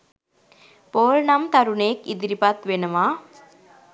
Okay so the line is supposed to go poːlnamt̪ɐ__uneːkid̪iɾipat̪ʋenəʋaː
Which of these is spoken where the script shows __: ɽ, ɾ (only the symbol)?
ɾ